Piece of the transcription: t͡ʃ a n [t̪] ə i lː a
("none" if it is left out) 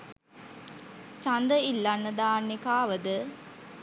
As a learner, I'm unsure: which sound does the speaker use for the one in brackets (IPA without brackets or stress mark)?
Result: d̪